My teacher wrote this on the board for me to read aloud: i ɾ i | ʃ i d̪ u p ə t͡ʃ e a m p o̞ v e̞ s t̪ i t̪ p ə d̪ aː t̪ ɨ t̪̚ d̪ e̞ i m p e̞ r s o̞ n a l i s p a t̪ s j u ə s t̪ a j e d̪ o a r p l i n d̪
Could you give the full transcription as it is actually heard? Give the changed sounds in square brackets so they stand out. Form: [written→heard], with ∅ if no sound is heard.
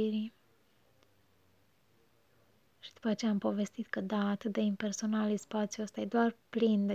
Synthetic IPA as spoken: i ɾ i | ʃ i d̪ u p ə t͡ʃ e a m p o̞ v e̞ s t̪ i t̪ [p→k] ə d̪ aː t̪ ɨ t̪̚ d̪ e̞ i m p e̞ r s o̞ n a l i s p a t̪ s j u ə s t̪ a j e d̪ o a r p l i n d̪